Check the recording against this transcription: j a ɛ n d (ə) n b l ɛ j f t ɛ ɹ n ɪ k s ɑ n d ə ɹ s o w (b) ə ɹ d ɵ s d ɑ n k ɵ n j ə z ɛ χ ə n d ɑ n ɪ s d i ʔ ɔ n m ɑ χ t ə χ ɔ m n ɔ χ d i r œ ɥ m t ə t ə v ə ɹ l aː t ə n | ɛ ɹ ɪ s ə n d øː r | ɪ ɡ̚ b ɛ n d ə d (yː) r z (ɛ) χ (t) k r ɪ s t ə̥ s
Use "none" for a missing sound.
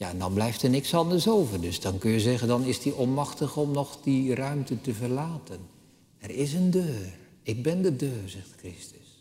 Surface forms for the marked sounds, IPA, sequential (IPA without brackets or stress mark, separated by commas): ɑ, v, øː, ɛ, t